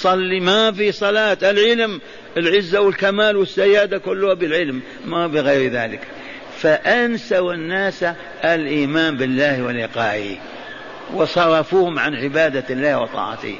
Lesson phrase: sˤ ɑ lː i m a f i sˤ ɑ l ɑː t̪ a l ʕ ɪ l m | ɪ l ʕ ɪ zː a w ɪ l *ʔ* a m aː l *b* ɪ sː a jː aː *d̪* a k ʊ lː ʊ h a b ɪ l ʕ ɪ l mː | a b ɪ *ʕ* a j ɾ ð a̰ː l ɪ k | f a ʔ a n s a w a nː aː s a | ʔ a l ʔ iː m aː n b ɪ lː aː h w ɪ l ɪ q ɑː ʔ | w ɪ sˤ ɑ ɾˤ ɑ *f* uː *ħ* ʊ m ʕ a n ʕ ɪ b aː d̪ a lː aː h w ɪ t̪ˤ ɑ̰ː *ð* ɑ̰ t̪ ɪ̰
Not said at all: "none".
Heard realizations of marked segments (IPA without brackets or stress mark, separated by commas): k, w, d̪, ɣ, f, h, ʕ